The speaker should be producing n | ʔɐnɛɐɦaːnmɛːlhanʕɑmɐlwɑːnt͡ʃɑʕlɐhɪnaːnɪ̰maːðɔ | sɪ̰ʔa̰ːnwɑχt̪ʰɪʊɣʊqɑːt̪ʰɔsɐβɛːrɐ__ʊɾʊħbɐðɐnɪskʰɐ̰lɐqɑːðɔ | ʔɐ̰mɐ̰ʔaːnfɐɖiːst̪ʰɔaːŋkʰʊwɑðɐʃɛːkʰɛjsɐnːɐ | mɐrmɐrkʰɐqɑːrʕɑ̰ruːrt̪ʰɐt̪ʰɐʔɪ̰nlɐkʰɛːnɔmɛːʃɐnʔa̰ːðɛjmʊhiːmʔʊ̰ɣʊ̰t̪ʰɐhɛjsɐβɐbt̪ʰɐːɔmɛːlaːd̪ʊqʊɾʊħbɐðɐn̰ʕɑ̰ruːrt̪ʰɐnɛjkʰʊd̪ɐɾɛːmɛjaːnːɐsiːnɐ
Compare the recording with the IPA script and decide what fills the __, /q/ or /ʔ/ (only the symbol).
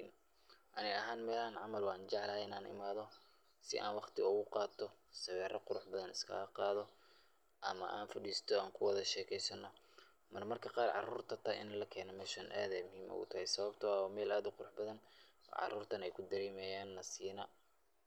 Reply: q